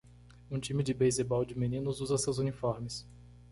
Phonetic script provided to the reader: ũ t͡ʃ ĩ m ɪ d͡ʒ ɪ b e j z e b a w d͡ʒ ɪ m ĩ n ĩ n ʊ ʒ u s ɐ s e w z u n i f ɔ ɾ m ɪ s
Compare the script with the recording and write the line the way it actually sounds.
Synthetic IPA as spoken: ũ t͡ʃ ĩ m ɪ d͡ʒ ɪ b e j z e b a w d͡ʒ ɪ m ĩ n ĩ n ʊ z u z ɐ s e w z u n i f ɔ ɾ m ɪ s